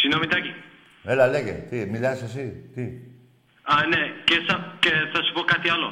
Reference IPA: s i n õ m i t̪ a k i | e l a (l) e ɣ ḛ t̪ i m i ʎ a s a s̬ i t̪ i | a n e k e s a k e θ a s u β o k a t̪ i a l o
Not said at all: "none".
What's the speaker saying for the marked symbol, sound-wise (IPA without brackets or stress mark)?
l